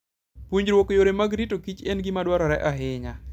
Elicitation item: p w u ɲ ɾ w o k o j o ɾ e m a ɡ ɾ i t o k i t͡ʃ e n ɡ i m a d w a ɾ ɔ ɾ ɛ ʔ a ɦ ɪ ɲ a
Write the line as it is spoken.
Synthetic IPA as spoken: p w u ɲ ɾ w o k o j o ɾ e m a ɡ ɾ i t o k i t͡ʃ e n ɡ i m a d w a ɾ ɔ ɾ ɛ ʔ a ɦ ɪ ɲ a

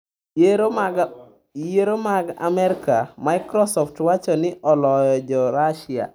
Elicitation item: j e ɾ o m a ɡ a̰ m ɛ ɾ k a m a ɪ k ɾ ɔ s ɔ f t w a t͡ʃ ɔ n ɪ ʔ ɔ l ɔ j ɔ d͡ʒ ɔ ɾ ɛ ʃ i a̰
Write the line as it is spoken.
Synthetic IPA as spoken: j e ɾ o m a ɡ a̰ m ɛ ɾ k a m a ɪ k ɾ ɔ s ɔ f t w a t͡ʃ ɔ n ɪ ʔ ɔ l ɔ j ɔ d͡ʒ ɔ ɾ a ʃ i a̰

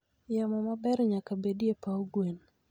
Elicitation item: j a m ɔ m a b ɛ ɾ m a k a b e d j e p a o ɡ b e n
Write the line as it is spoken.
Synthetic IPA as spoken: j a m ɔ m a b ɛ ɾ ɲ a k a b e d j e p a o ɡ w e n

